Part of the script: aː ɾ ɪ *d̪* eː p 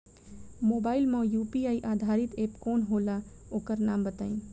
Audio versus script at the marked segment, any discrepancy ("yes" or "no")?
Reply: yes